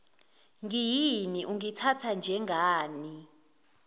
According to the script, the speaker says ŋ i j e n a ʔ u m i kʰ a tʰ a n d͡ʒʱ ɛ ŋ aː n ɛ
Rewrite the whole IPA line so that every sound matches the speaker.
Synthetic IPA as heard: ŋ i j i n i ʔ u ŋ i tʰ a tʰ a n d͡ʒʱ ɛ ŋ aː n i